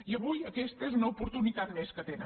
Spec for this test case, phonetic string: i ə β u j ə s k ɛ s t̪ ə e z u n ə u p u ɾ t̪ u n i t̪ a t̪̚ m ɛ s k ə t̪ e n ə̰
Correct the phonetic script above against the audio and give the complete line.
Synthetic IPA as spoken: i ə β u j ə k ɛ s t̪ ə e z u n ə u p u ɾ t̪ u n i t̪ a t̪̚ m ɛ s k ə t̪ e n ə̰